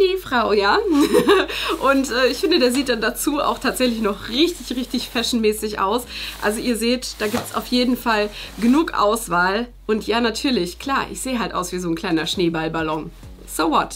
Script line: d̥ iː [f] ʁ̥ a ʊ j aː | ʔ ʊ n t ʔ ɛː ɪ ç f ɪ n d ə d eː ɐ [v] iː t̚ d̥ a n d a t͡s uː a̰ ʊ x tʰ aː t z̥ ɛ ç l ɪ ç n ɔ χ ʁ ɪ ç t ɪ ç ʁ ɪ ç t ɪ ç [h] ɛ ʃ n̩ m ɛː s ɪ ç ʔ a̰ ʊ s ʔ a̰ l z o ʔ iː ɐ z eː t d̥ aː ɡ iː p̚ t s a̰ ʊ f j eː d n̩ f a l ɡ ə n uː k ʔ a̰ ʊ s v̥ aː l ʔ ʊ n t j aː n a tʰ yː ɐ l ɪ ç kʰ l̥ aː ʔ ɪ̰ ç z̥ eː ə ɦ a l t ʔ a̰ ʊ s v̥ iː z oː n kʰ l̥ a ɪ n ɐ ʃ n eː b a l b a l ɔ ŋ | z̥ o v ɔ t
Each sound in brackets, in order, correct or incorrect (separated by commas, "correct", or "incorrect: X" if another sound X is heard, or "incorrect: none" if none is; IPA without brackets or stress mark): correct, incorrect: z, incorrect: f